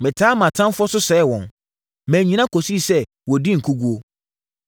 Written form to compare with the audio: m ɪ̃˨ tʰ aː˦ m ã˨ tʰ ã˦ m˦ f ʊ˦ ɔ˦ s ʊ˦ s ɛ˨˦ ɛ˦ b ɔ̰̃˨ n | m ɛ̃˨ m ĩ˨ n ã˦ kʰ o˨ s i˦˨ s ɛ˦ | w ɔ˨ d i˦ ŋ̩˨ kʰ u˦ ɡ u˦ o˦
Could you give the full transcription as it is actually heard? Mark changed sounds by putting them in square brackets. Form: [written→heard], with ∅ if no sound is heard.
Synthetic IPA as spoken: m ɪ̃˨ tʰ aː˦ m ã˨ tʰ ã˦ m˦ f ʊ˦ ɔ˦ s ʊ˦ s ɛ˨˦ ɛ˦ [b→w] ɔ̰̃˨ n | m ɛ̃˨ [m→ɲ] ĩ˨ n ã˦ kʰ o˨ s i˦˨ s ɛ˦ | w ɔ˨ d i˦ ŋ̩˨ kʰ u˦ ɡ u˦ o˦